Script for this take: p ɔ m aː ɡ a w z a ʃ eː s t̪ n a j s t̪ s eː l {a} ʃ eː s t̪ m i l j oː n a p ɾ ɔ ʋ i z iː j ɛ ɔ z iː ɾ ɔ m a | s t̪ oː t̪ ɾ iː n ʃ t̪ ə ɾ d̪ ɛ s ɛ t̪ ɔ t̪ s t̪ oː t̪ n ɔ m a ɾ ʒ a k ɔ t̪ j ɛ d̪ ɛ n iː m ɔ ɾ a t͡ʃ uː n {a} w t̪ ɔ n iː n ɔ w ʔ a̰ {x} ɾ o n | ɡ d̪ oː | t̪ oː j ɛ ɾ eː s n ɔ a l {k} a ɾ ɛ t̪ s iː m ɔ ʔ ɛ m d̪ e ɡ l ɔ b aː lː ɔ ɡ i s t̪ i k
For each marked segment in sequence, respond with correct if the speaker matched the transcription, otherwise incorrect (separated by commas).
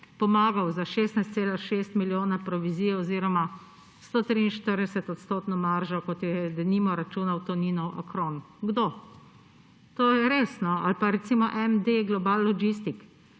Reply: correct, correct, incorrect, incorrect